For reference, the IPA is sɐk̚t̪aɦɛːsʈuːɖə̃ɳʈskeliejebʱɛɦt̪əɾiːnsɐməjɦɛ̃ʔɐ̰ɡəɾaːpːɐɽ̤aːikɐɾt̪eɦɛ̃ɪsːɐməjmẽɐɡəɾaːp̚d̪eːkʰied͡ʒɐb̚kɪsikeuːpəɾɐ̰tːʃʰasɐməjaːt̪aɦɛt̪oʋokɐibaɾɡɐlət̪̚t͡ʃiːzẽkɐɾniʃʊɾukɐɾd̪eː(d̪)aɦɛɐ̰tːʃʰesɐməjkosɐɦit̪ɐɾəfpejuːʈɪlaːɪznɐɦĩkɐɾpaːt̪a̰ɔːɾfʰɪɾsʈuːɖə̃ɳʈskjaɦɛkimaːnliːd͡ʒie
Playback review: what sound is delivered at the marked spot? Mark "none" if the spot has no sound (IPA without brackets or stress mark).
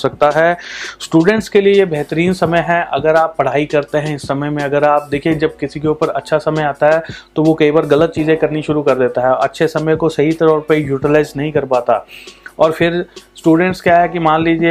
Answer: t̪